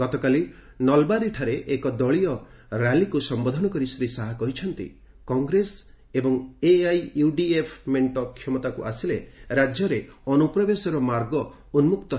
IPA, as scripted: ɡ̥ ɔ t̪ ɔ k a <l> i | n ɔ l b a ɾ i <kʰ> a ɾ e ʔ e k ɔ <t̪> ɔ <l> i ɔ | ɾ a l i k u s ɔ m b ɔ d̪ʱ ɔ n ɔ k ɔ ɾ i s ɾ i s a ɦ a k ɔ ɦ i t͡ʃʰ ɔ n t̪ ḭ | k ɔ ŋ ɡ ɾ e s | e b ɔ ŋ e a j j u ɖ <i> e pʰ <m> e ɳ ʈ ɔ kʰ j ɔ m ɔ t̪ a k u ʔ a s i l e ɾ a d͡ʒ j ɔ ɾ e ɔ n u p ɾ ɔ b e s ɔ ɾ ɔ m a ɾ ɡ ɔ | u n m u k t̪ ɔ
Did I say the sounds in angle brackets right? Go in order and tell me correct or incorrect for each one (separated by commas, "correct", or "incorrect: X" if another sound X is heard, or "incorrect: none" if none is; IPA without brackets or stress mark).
correct, incorrect: ʈʰ, incorrect: d̪, incorrect: ɭ, correct, correct